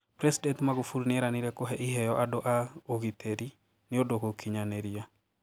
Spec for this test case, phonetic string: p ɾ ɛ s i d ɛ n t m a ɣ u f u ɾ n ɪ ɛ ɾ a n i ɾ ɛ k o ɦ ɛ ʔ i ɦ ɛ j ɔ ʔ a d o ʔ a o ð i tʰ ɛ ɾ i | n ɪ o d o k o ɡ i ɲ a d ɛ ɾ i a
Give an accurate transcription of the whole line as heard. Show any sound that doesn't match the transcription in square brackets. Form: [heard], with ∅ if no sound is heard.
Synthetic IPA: p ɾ ɛ s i d ɛ n t m a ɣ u f u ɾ n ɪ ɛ ɾ a n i ɾ ɛ k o ɦ ɛ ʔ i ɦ ɛ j ɔ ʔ a d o ʔ a o [ɣ] i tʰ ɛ ɾ i | n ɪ o d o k o [k] i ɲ a [n] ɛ ɾ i a